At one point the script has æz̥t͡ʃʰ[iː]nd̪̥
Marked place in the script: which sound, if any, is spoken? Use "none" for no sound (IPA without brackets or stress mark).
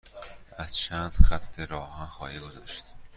æː